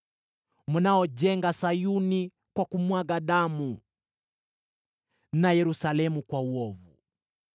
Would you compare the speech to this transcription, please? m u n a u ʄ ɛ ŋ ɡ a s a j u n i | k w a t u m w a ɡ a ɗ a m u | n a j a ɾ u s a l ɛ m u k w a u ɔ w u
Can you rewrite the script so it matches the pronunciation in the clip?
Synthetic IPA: m u n a ɔ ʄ ɛ ŋ ɡ a s a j u n i | k w a k u m w a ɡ a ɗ a m u | n a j ɛ ɾ u s a l ɛ m u k w a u ɔ v u